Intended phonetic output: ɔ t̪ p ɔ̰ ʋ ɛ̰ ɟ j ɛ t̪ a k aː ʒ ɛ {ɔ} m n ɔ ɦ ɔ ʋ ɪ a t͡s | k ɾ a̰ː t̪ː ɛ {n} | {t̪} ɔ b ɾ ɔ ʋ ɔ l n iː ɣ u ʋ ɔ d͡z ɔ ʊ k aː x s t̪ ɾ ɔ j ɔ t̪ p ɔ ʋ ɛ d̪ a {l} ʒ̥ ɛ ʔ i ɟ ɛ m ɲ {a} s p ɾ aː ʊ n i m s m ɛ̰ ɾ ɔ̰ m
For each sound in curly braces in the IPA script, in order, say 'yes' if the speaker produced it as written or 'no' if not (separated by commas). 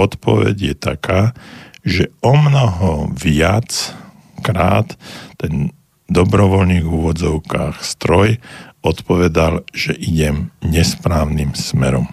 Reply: yes, yes, no, yes, no